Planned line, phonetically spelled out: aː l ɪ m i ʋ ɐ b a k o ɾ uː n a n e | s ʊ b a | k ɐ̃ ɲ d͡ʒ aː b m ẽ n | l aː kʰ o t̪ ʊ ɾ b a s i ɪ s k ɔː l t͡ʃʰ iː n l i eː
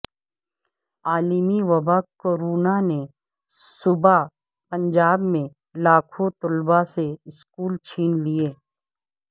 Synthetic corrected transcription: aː l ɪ m i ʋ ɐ b a k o ɾ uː n a n e | s ʊ b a | p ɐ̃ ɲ d͡ʒ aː b m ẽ | l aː kʰ o t̪ ʊ l b a s e ɪ s k uː l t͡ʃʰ iː n l i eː